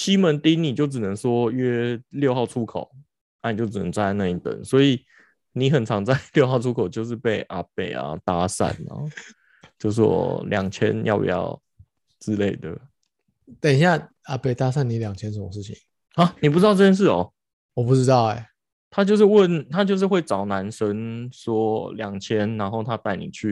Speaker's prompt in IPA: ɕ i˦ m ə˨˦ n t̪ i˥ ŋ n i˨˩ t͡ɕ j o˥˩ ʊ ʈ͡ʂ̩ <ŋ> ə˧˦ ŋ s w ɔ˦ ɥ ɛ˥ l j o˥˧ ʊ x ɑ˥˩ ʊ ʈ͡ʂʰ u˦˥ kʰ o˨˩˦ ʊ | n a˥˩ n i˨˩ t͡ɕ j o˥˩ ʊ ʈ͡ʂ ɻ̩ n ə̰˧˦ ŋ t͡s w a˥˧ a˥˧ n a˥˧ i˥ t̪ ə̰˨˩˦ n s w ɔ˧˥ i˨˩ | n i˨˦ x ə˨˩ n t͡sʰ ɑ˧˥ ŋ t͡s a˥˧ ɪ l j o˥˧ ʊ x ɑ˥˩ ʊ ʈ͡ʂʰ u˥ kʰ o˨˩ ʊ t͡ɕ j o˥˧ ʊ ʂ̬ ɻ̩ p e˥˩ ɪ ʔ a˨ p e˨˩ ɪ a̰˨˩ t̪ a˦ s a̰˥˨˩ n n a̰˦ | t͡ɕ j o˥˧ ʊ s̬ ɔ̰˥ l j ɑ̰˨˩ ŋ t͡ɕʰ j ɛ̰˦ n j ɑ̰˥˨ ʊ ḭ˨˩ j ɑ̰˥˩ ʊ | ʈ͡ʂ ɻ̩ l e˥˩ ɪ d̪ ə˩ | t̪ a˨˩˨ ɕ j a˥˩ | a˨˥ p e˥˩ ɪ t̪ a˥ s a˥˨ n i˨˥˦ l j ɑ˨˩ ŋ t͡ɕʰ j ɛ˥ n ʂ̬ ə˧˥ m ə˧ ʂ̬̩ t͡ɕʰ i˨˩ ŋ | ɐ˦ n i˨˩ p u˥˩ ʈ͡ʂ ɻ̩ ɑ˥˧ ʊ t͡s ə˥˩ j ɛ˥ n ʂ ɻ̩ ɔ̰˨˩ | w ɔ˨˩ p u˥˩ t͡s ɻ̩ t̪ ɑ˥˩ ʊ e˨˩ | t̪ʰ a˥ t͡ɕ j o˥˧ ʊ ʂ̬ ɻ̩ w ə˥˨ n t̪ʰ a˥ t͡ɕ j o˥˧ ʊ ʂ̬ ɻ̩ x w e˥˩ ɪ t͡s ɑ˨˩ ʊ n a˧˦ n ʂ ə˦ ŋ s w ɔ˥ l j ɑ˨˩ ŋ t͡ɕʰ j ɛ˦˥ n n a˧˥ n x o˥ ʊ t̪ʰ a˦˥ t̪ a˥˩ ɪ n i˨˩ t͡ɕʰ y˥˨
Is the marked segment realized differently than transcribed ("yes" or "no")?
yes